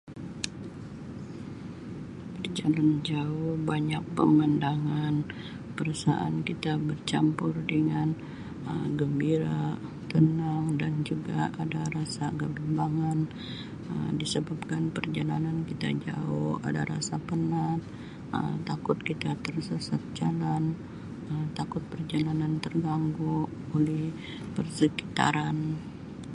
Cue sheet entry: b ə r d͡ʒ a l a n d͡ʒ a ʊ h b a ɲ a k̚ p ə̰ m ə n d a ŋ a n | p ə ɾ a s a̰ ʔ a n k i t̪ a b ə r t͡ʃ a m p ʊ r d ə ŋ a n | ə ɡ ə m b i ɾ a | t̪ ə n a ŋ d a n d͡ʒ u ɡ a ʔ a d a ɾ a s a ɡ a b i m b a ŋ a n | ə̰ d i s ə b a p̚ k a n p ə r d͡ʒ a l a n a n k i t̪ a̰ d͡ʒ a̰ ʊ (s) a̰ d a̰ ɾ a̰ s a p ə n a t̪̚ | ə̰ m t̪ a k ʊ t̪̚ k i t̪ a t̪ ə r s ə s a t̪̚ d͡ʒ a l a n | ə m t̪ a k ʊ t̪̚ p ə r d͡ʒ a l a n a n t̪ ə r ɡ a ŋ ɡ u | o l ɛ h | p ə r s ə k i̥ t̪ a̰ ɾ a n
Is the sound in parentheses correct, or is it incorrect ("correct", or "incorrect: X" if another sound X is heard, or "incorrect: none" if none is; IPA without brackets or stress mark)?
incorrect: h